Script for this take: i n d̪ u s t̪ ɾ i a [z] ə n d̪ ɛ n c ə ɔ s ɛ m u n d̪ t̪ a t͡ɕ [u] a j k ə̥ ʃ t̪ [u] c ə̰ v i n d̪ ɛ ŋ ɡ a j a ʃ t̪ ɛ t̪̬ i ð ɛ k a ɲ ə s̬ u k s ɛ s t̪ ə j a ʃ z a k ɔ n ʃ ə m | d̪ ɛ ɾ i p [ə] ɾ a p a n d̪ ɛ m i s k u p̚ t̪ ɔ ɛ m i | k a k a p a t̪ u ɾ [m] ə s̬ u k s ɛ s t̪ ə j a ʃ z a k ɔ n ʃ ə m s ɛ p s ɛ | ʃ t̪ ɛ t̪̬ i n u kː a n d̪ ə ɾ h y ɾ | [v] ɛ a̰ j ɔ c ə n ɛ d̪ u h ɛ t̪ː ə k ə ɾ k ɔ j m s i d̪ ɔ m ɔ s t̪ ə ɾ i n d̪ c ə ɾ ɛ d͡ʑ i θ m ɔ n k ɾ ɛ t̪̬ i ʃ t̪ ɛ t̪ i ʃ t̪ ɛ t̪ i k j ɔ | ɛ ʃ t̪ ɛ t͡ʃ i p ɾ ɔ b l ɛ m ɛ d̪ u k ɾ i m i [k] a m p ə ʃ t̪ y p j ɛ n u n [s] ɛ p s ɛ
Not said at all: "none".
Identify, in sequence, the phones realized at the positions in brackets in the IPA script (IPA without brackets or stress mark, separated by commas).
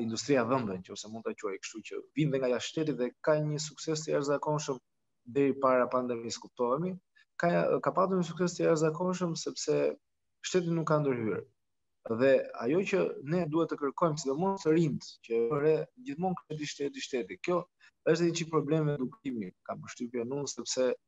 ð, u, u, a, ɲ, ð, k, s